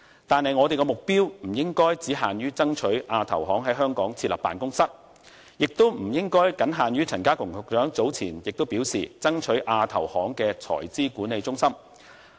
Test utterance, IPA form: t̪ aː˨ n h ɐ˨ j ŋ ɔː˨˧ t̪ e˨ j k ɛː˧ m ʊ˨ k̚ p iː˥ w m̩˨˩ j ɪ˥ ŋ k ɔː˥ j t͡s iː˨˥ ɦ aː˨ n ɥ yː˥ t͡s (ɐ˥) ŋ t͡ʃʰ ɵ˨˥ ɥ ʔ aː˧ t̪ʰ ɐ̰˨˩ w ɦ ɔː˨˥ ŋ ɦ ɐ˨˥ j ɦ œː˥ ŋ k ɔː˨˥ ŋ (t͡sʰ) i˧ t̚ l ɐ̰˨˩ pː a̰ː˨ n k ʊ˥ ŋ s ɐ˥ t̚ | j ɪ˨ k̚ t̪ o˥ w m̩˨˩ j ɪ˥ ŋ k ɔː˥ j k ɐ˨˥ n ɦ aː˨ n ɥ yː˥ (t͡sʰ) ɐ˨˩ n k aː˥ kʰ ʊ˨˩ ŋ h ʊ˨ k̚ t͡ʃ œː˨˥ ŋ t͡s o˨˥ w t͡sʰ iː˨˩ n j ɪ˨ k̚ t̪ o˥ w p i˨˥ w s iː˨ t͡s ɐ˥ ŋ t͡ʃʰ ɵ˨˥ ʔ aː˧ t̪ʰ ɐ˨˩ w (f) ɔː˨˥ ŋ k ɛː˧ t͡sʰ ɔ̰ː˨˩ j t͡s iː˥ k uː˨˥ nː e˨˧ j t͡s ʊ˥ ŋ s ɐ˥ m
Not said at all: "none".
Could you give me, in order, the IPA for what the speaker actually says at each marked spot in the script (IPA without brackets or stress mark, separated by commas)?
ɐ˥, t͡sʰ, t͡sʰ, h